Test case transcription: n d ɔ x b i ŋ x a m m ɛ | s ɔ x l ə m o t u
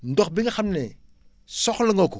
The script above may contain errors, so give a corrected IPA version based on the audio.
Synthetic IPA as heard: n d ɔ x b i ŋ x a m n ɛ | s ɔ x l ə ŋ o k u